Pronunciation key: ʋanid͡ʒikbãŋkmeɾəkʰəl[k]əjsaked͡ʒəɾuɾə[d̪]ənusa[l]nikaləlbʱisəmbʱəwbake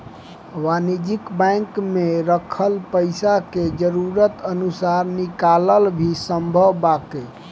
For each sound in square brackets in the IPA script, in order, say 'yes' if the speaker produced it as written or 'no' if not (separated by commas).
no, no, no